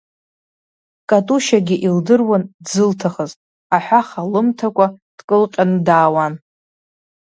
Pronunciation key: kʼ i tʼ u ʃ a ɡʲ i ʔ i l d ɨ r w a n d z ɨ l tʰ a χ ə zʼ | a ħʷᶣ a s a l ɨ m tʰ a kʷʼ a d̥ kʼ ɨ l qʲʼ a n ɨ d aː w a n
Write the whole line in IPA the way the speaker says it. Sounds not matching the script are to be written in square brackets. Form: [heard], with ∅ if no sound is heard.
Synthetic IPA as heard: kʼ [a] tʼ u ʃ a ɡʲ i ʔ i l d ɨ r w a n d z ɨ l tʰ a χ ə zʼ | a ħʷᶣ a [χ] a l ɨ m tʰ a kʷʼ a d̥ kʼ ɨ l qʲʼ a n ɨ d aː w a n